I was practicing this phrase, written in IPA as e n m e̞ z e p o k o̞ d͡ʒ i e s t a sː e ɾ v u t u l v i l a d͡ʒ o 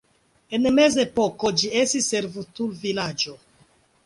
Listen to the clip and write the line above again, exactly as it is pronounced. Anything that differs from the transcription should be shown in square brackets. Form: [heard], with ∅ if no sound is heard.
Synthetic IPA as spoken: e n m e̞ z e p o k o̞ d͡ʒ i e s t [i] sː e ɾ v u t u l v i l a d͡ʒ o